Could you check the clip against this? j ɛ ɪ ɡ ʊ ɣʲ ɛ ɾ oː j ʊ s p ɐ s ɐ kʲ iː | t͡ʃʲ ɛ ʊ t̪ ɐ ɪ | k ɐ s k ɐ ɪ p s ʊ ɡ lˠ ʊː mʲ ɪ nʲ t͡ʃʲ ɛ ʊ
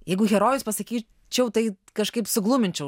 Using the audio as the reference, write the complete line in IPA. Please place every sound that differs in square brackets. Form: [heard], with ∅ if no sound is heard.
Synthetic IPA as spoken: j ɛ ɪ ɡ ʊ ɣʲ ɛ ɾ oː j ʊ s p ɐ s ɐ kʲ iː | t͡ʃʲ ɛ ʊ t̪ ɐ ɪ | k ɐ [ʃ] k ɐ ɪ p s ʊ ɡ lˠ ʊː mʲ ɪ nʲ t͡ʃʲ ɛ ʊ